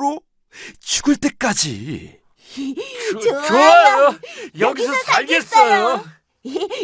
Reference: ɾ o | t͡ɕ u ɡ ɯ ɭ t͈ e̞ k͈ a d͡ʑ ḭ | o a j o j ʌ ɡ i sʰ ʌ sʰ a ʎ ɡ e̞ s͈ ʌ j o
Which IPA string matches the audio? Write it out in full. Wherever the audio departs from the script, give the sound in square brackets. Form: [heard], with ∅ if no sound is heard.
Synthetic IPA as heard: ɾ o | t͡ɕ u ɡ ɯ ɭ t͈ e̞ k͈ a d͡ʑ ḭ | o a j o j ʌ ɡ i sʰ ʌ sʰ a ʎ ɡ e̞ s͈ ʌ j o